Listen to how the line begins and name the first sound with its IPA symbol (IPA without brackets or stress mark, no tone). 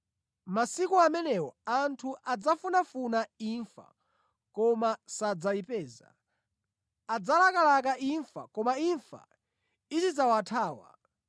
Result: m